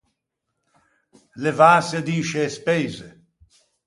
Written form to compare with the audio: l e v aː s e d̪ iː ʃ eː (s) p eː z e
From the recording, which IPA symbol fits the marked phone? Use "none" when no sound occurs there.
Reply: s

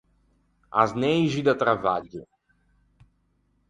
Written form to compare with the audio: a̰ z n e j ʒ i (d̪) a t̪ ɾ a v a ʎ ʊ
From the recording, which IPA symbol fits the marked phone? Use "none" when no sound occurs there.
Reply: d̪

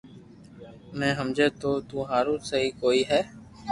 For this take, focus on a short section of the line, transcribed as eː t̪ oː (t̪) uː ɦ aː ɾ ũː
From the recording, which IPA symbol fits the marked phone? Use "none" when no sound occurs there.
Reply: t̪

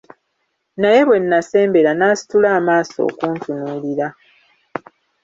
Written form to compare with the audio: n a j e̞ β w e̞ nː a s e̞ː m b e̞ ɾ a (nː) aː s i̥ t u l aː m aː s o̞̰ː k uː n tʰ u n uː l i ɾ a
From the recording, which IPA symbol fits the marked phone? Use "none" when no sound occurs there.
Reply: n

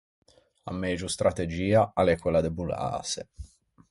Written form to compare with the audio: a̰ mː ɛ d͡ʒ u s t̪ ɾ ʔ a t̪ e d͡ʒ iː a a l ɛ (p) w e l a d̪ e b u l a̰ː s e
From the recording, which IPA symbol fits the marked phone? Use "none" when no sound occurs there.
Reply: k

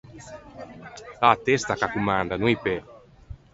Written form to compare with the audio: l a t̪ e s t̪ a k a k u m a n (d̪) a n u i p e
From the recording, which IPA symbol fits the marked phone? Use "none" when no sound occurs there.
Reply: d̪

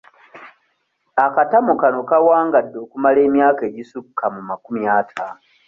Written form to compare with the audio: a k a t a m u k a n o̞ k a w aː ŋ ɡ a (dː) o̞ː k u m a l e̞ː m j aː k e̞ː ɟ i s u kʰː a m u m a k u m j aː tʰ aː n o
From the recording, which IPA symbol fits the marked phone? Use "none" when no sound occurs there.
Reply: dː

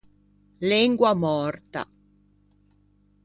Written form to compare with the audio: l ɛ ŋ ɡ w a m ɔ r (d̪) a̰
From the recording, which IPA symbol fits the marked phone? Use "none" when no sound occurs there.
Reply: t̪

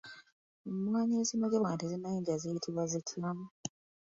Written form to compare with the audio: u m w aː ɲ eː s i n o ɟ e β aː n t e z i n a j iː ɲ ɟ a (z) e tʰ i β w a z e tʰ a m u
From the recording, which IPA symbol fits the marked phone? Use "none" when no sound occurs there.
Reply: z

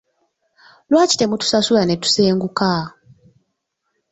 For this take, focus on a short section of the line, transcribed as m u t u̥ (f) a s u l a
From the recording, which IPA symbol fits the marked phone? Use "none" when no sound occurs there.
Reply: s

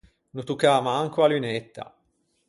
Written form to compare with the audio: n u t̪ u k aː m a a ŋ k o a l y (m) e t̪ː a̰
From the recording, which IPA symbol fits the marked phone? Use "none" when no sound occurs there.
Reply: n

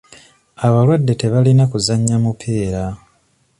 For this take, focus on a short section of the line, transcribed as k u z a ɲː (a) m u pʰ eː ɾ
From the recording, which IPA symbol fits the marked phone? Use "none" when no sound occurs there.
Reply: a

